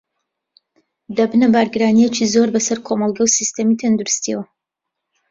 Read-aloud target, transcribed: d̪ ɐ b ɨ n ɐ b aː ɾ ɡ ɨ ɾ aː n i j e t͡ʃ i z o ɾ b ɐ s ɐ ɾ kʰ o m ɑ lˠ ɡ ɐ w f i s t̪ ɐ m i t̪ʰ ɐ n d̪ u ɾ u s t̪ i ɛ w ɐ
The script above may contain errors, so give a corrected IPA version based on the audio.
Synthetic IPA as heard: d̪ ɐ b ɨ n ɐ b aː ɾ ɡ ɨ ɾ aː n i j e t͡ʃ i z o ɾ b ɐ s ɐ ɾ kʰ o m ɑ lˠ ɡ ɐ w s i s t̪ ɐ m i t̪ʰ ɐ n d̪ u ɾ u s t̪ i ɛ w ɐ

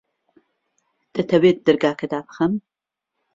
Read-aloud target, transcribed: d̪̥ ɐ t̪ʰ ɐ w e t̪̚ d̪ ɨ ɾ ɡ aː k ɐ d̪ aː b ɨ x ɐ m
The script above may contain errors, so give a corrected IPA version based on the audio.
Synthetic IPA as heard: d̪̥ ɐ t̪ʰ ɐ w e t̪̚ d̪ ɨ ɾ ɡ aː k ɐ d̪ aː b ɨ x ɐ m

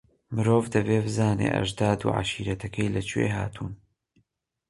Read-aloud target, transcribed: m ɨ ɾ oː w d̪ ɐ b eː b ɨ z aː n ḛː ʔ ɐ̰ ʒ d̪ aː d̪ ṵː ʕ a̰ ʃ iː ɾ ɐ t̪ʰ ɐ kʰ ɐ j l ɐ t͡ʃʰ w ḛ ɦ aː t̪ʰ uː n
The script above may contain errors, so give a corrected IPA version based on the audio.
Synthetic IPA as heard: m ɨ ɾ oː v d̪ ɐ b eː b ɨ z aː n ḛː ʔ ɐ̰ ʒ d̪ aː d̪ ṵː ʕ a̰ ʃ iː ɾ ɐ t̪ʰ ɐ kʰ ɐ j l ɐ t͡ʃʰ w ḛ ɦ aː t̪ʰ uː n

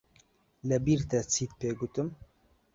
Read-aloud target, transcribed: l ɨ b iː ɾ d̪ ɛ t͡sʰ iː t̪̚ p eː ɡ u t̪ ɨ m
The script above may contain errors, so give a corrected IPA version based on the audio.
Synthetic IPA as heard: l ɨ b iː ɾ t̪ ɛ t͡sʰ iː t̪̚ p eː ɡ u t̪ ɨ m

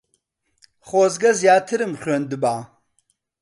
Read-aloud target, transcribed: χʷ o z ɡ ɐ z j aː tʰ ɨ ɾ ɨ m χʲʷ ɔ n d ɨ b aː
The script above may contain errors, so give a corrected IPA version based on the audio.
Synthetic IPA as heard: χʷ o z ɡ ɐ z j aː tʰ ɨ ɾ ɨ m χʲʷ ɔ n d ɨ b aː

